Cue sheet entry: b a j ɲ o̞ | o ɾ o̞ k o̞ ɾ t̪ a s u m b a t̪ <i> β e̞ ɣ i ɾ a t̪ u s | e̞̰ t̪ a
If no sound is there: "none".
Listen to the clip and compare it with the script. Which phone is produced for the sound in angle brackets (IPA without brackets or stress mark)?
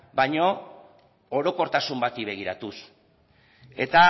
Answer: i